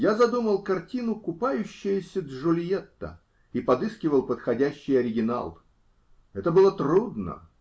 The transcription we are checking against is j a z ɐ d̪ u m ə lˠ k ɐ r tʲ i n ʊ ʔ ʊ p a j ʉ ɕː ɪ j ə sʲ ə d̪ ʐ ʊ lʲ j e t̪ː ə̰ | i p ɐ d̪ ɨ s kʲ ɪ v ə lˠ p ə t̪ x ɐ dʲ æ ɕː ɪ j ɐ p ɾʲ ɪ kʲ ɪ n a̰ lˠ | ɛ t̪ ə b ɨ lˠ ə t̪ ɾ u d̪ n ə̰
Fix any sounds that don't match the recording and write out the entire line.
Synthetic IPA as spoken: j a z ɐ d̪ u m ə lˠ k ɐ r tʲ i n ʊ k ʊ p a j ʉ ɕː ɪ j ə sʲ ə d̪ ʐ ʊ lʲ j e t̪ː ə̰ | i p ɐ d̪ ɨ s kʲ ɪ v ə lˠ p ə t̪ x ɐ dʲ æ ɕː ɪ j ɐ ɾʲ ɪ ɡʲ ɪ n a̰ lˠ | ɛ t̪ ə b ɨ lˠ ə t̪ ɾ u d̪ n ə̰